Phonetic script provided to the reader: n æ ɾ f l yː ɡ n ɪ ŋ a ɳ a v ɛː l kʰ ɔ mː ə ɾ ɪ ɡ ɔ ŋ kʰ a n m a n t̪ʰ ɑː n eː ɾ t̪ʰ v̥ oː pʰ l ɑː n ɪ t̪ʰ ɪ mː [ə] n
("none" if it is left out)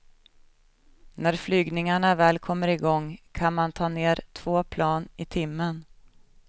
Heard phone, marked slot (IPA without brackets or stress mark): ə